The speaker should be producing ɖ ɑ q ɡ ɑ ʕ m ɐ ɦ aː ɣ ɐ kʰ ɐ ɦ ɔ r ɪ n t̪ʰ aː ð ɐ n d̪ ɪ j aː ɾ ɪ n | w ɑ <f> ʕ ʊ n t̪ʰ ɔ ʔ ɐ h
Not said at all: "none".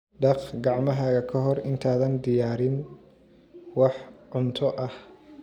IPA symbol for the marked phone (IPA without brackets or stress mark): ħ